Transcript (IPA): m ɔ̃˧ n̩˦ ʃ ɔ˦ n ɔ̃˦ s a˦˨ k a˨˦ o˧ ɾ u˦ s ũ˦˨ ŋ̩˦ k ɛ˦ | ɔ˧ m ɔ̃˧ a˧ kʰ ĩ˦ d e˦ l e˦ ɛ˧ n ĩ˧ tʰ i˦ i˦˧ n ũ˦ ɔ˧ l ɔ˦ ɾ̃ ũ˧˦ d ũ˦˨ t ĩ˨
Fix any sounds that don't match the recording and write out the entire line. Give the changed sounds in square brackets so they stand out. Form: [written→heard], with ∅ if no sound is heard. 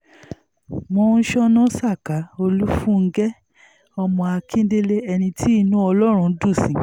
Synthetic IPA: m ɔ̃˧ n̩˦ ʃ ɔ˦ n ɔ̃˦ s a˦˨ k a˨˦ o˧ [ɾ→l] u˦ [s→f] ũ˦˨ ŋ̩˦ [k→ɡ] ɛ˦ | ɔ˧ m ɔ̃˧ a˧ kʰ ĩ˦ d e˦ l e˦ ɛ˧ n ĩ˧ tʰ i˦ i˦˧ n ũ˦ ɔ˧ l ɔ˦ ɾ̃ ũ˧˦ d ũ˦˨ [t→s] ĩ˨